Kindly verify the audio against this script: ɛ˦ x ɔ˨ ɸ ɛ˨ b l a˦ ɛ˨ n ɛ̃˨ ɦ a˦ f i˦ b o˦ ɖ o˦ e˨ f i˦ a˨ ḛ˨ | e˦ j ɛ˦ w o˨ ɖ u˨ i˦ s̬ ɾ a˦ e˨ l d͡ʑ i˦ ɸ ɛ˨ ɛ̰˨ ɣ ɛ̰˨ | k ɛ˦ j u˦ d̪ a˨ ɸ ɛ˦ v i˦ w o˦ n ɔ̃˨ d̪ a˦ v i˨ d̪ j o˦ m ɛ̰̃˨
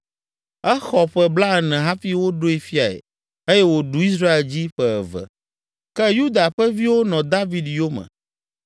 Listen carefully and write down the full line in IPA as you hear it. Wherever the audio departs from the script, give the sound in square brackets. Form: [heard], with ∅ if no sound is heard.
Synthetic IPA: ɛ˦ x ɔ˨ ɸ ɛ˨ b l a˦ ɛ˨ n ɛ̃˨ ɦ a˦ f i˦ [w] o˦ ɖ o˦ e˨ f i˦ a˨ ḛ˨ | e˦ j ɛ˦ w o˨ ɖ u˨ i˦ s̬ ɾ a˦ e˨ l d͡ʑ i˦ ɸ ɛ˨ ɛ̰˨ [v] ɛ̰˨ | k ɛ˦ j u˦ d̪ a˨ ɸ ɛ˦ v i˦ w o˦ n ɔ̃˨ d̪ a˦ v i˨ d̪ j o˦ m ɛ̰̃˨